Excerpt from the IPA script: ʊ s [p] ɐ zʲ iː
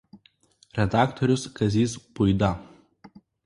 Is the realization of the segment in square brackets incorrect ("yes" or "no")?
yes